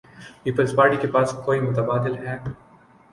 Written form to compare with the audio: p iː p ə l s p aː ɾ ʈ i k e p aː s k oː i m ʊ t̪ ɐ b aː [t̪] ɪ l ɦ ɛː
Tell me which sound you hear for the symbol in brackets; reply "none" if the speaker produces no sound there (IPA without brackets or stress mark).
d̪